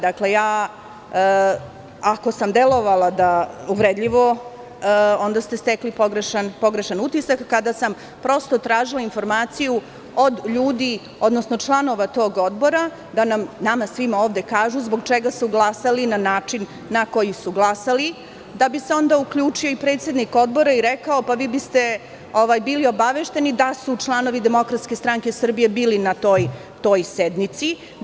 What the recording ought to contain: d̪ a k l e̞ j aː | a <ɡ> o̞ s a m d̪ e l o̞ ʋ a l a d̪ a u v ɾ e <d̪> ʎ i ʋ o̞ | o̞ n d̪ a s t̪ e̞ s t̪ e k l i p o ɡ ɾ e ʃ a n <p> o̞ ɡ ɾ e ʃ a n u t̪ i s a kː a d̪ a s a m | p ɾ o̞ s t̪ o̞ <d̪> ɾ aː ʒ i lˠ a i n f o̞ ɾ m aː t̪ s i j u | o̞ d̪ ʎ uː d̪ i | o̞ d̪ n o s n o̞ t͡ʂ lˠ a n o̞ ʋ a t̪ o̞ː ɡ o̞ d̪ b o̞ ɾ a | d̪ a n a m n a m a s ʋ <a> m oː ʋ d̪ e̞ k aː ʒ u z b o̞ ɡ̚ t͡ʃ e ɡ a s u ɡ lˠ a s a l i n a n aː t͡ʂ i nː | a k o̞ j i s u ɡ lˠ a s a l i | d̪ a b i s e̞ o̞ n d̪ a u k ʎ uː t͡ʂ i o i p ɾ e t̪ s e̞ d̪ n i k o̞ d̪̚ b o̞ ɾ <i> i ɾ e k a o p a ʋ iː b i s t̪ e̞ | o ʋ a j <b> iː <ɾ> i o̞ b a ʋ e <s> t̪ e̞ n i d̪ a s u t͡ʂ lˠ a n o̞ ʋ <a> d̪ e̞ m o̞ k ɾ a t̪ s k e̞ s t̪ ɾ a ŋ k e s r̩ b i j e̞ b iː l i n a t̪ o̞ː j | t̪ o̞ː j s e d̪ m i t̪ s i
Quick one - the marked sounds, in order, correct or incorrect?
incorrect: k, correct, correct, incorrect: t̪, incorrect: i, incorrect: a, correct, incorrect: l, incorrect: ʃ, incorrect: i

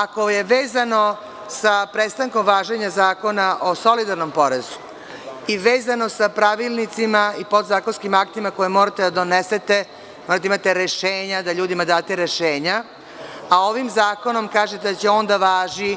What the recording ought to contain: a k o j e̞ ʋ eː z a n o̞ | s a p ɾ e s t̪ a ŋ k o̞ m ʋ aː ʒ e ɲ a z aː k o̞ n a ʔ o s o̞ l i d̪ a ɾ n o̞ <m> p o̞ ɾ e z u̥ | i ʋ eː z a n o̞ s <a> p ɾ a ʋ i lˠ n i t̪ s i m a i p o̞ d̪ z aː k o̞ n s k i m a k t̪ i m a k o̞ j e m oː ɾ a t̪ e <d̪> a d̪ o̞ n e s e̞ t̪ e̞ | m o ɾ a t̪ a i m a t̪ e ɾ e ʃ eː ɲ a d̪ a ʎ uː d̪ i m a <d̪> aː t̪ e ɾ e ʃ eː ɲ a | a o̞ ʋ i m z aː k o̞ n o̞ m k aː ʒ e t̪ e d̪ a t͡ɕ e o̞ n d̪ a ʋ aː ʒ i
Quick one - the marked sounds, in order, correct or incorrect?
correct, correct, correct, correct

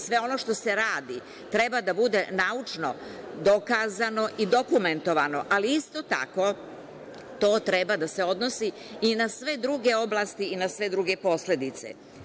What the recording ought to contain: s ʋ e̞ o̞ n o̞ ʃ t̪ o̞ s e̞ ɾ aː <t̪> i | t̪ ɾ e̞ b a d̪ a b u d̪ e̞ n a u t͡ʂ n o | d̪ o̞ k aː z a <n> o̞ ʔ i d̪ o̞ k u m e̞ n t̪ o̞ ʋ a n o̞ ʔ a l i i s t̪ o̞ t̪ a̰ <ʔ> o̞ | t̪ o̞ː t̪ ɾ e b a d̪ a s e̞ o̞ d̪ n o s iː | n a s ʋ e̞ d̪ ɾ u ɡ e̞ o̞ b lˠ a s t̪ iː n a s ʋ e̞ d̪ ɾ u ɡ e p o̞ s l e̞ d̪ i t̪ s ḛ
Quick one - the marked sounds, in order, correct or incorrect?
incorrect: d̪, correct, incorrect: k

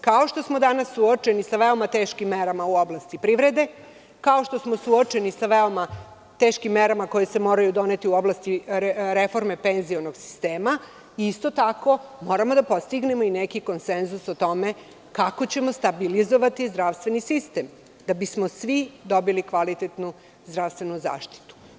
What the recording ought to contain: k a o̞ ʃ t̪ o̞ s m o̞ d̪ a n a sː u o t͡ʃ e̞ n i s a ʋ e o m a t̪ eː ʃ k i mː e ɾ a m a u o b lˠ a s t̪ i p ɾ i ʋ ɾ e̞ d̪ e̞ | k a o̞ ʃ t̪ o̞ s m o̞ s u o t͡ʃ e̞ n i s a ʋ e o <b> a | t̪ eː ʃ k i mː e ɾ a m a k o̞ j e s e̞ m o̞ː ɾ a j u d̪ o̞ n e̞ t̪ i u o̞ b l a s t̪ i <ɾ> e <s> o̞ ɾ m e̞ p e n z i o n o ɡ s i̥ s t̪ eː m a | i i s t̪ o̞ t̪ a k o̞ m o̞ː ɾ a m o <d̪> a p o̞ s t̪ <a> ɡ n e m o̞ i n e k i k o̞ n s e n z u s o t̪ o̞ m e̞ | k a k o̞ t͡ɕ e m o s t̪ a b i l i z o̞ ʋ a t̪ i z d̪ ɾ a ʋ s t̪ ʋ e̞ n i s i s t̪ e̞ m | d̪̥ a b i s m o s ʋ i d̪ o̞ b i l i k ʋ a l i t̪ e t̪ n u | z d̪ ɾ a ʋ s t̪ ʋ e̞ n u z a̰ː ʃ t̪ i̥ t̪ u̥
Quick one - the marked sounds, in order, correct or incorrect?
incorrect: m, correct, incorrect: f, correct, incorrect: i

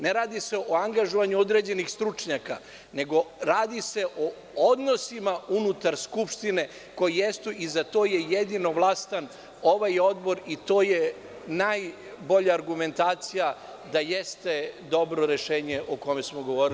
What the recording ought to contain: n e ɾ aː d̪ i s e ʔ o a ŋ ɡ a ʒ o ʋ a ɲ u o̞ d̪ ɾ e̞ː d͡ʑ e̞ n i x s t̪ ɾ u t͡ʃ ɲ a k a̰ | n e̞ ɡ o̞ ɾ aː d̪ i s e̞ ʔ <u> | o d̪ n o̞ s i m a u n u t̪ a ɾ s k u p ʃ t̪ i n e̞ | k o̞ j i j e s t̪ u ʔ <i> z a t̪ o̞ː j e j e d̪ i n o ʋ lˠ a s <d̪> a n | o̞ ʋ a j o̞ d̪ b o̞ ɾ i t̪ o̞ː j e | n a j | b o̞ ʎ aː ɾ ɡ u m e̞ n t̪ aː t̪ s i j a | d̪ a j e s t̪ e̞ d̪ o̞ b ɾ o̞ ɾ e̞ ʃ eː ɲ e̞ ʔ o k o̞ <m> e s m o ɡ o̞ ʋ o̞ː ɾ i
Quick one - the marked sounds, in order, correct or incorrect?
incorrect: o, correct, incorrect: t̪, correct

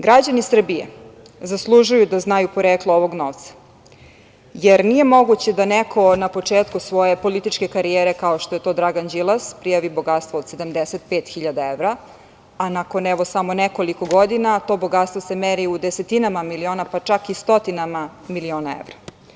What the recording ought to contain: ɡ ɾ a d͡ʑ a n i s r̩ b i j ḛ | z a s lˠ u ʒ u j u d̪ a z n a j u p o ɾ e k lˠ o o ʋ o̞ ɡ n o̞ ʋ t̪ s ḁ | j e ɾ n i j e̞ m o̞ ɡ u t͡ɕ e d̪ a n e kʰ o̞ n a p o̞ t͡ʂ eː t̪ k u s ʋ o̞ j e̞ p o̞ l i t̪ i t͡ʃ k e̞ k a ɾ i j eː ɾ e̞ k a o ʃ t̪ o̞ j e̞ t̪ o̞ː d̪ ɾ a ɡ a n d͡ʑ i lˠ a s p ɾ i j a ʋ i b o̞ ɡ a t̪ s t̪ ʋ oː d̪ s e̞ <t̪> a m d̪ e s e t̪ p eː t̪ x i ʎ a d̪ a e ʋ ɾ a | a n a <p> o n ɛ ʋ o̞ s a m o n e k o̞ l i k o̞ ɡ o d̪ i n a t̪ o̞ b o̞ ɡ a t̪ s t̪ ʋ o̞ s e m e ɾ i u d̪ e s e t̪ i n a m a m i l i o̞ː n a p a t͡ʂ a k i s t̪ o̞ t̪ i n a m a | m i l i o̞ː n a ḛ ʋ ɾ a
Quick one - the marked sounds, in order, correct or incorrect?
incorrect: d̪, incorrect: k

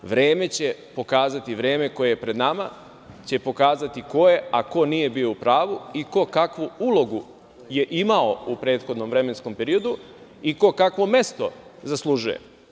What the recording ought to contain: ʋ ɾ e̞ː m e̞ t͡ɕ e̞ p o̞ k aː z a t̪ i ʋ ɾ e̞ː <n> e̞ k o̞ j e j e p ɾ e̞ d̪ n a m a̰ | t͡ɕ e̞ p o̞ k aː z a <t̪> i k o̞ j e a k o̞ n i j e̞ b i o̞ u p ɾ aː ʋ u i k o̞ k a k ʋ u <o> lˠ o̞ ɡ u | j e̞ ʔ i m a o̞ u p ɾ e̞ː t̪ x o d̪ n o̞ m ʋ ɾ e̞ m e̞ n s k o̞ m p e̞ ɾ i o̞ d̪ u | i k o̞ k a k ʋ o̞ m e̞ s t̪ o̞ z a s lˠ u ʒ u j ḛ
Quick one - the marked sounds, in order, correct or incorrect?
incorrect: m, correct, incorrect: u

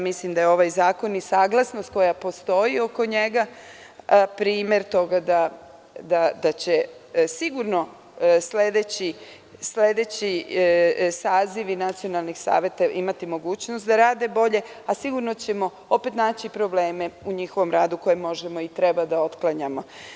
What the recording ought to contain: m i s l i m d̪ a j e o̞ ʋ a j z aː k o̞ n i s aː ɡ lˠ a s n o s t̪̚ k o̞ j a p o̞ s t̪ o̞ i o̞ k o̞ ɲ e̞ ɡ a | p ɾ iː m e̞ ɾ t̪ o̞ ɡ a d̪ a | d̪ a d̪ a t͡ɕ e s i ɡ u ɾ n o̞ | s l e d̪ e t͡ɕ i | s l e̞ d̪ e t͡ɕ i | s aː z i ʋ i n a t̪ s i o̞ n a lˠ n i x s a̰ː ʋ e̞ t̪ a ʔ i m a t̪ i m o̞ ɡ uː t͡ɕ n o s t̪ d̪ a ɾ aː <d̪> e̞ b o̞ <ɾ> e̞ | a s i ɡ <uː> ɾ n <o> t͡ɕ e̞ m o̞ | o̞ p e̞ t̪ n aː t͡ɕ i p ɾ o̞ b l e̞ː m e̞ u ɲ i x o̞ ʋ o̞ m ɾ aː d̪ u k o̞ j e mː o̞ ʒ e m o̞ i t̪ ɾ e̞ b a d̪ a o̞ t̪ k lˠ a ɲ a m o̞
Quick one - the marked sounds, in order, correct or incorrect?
correct, incorrect: ʎ, incorrect: u, correct

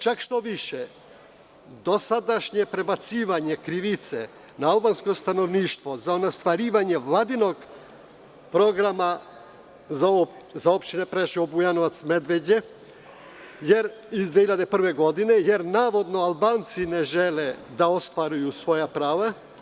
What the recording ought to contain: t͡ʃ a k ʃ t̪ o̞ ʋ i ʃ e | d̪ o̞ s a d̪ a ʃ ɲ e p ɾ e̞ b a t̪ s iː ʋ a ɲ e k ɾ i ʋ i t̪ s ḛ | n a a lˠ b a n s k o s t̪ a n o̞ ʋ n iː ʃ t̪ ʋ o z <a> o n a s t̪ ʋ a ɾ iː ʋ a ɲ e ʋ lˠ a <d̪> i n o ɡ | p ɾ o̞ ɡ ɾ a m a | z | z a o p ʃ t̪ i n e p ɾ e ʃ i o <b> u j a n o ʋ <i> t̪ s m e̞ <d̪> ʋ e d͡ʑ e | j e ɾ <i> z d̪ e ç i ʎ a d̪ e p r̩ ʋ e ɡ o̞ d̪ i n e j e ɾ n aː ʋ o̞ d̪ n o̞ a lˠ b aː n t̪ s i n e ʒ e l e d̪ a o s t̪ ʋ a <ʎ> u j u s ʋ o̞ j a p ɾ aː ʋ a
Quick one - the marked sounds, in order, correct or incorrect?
correct, correct, correct, incorrect: a, correct, correct, incorrect: ɾ

